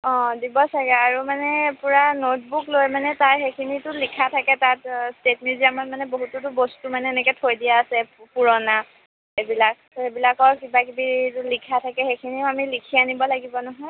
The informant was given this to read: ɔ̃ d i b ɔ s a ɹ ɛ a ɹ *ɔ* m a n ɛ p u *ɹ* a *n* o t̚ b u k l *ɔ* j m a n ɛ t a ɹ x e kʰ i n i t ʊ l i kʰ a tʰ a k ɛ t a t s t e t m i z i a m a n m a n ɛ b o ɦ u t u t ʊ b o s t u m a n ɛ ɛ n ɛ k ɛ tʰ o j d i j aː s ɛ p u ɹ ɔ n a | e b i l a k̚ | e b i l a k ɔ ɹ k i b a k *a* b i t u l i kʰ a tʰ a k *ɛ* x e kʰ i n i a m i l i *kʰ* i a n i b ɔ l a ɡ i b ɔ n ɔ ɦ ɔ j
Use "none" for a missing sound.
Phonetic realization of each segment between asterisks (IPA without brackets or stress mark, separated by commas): u, ɹ, n, o, i, ɛ, kʰ